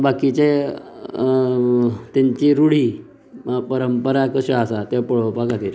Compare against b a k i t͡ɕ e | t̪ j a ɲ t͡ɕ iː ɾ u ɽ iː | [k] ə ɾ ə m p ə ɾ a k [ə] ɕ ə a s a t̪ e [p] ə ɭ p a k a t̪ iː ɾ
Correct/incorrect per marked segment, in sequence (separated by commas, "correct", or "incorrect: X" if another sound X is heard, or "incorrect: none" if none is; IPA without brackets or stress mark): incorrect: p, correct, correct